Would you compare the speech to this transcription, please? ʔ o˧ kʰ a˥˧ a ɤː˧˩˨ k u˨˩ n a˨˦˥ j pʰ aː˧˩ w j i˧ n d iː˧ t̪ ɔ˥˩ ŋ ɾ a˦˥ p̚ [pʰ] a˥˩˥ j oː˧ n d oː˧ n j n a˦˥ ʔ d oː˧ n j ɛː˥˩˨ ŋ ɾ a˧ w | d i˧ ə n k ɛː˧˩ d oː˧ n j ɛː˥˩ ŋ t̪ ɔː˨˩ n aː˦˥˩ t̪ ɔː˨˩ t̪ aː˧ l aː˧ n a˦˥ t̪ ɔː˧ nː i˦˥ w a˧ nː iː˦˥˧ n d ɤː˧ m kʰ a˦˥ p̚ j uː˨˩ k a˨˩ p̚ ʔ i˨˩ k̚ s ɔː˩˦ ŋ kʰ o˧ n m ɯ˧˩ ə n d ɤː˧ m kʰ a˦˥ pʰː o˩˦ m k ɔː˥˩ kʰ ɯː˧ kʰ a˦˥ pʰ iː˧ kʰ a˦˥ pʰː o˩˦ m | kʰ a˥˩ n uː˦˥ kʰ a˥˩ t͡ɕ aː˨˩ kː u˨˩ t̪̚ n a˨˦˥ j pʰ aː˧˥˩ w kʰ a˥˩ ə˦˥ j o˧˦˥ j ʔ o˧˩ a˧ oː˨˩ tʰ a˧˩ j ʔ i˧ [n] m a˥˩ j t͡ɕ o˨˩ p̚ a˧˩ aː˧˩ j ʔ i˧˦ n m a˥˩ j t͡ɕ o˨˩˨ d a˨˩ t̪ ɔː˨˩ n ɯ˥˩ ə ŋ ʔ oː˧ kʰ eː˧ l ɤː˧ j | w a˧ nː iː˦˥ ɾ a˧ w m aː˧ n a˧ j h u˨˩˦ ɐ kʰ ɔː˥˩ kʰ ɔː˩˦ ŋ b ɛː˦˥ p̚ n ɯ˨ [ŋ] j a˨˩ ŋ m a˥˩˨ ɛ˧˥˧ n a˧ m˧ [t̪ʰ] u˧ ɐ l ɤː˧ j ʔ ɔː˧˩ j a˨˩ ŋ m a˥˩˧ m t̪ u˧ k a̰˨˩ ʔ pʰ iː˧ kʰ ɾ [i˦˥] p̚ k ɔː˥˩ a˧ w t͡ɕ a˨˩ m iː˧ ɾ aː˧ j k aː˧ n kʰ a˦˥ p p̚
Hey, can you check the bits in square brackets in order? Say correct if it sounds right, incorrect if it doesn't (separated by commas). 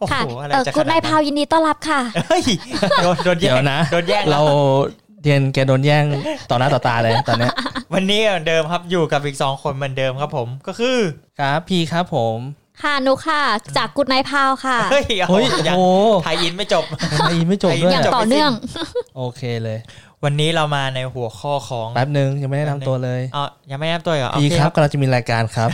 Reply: incorrect, correct, correct, incorrect, incorrect